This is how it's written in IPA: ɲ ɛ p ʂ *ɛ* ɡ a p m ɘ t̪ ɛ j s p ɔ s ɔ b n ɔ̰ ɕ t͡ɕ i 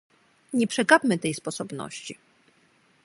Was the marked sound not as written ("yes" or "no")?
no